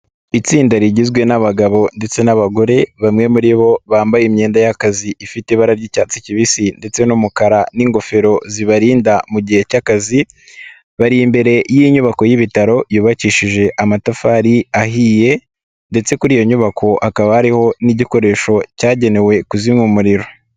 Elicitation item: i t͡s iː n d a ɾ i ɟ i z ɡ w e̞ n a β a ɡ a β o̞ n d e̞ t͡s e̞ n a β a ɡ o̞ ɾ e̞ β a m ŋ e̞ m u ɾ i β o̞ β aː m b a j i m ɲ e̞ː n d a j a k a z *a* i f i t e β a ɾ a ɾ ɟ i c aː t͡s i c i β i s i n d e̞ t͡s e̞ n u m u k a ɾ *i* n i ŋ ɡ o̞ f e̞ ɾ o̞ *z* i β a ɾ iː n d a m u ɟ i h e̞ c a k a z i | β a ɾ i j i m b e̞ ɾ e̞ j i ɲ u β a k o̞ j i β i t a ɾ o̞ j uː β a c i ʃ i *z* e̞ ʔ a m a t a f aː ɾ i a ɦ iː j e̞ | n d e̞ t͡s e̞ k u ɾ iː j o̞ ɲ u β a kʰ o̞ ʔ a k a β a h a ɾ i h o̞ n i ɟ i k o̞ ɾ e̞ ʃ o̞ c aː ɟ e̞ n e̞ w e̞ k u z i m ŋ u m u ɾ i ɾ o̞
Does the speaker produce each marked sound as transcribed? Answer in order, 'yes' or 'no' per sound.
no, no, yes, no

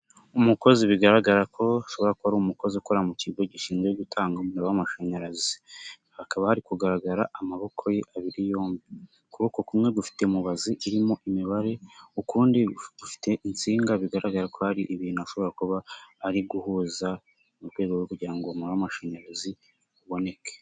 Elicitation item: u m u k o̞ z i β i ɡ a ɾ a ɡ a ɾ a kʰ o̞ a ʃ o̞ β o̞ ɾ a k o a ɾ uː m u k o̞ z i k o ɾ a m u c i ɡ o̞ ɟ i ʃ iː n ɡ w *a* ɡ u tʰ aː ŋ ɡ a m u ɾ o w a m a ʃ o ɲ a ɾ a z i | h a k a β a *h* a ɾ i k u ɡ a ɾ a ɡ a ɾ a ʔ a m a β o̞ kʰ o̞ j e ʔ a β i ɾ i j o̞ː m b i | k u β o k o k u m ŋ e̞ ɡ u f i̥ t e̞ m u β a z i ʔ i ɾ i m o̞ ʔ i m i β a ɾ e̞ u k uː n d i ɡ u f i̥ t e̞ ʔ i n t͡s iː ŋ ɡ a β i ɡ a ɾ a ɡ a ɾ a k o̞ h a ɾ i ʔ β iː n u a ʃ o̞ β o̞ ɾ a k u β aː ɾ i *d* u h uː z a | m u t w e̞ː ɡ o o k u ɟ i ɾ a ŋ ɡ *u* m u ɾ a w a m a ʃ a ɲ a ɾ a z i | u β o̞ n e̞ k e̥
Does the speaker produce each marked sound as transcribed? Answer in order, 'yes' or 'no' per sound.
no, yes, no, no

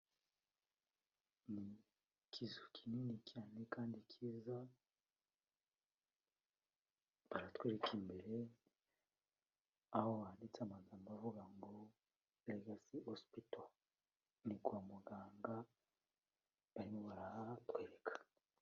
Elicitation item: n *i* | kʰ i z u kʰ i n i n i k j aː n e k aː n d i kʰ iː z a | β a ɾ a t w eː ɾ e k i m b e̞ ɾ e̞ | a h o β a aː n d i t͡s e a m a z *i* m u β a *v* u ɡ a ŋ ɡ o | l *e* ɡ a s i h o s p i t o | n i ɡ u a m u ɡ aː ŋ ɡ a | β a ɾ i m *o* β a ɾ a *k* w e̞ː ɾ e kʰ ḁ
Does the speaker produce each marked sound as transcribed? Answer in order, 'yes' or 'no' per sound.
yes, no, yes, yes, yes, no

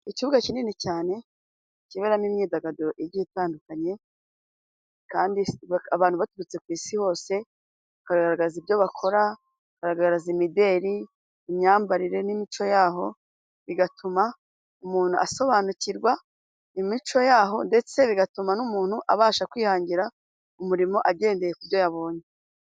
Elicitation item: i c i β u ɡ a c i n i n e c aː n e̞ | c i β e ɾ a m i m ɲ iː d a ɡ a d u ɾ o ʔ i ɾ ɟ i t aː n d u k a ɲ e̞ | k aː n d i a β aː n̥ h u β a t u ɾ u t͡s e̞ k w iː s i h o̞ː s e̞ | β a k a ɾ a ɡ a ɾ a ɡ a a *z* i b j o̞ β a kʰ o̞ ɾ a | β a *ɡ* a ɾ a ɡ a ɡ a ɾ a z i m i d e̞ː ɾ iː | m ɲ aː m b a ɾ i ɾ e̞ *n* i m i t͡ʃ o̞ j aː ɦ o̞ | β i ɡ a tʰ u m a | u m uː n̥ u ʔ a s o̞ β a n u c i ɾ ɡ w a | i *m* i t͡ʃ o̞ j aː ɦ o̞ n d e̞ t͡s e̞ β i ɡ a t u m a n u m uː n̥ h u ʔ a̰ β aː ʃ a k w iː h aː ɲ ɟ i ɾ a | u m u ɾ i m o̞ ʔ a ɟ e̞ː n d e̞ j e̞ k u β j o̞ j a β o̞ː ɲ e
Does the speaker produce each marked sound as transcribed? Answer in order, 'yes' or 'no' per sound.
yes, no, yes, yes

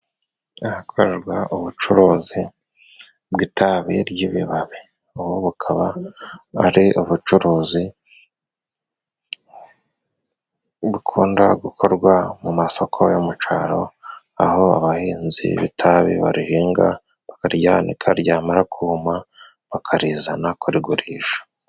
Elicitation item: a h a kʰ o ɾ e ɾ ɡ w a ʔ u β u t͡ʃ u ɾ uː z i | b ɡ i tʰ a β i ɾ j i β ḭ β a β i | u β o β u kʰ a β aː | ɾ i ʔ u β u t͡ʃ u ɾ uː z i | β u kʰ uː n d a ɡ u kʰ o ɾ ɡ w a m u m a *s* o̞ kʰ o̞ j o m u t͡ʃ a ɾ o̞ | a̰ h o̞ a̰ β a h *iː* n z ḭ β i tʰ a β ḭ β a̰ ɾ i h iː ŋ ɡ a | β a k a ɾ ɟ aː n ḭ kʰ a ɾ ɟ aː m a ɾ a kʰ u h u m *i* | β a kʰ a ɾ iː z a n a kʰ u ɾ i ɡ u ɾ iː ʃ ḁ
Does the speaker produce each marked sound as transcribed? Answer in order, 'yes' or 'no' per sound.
yes, yes, no

